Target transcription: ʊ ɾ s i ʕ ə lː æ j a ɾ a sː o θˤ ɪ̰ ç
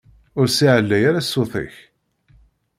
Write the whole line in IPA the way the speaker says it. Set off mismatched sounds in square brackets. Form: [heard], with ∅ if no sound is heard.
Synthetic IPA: ʊ ɾ s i ʕ ə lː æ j a ɾ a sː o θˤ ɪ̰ ç